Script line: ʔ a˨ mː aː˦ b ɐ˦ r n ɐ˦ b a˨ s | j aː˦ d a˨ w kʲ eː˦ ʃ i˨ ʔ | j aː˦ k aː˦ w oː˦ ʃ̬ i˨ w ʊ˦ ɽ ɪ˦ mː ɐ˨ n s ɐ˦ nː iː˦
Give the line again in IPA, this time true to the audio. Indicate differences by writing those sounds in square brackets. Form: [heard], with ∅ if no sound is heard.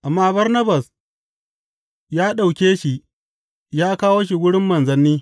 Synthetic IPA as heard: ʔ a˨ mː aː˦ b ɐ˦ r n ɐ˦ b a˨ s | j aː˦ [ɗ] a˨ w kʲ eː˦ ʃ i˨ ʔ | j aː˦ k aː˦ w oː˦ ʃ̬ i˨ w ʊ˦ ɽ ɪ˦ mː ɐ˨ n [z] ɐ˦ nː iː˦